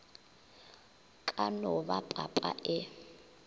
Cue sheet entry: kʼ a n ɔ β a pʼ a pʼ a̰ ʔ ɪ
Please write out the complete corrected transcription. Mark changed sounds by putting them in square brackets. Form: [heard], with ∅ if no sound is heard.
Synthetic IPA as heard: kʼ a n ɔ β a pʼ a pʼ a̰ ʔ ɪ